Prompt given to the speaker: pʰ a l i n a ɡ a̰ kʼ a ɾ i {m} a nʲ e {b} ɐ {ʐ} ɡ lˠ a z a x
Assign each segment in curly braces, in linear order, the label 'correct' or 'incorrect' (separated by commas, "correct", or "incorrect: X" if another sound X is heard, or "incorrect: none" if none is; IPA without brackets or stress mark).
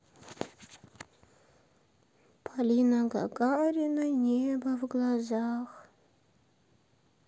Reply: incorrect: n, correct, incorrect: v